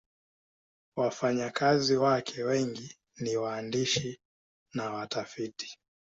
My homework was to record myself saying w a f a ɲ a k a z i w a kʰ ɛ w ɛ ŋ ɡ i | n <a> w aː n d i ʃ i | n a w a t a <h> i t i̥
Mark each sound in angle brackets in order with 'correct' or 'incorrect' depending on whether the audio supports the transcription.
incorrect, incorrect

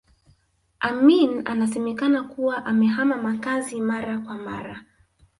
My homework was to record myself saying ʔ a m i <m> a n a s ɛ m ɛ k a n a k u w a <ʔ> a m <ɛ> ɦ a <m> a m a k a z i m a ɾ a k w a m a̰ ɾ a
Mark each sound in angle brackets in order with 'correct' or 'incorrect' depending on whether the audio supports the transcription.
incorrect, correct, correct, correct

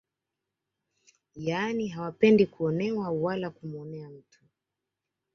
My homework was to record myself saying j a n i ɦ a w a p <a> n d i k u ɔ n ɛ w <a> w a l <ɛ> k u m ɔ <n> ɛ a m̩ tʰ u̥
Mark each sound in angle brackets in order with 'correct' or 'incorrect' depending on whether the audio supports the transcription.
incorrect, correct, incorrect, correct

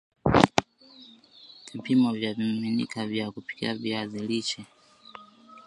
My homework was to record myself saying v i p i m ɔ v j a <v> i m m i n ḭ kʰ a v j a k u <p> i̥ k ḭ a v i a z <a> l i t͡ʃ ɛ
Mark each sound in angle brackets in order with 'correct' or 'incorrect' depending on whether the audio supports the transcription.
correct, correct, incorrect

